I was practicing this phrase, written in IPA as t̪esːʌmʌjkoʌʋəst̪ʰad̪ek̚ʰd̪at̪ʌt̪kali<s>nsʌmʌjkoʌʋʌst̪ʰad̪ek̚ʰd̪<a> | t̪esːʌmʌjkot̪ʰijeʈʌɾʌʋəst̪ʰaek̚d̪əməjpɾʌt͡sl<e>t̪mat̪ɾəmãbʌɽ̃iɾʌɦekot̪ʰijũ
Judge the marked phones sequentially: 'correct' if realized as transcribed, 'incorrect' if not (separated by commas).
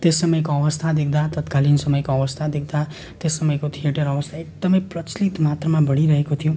incorrect, correct, incorrect